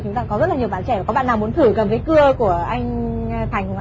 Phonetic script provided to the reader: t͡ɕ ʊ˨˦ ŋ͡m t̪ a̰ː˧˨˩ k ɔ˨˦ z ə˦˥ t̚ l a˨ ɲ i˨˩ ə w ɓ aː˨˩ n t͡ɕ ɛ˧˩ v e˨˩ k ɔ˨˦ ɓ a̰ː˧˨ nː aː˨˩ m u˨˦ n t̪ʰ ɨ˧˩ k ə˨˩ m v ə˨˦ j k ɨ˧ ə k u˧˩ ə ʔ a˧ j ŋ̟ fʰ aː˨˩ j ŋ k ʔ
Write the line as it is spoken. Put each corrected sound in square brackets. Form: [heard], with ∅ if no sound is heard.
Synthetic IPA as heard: t͡ɕ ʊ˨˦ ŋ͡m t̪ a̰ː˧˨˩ k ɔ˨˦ z ə˦˥ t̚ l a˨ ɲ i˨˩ ə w ɓ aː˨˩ n t͡ɕ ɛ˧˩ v [a˨˩] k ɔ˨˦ ɓ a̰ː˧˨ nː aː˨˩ m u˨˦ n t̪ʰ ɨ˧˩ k ə˨˩ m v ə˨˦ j k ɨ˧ ə k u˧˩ ə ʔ a˧ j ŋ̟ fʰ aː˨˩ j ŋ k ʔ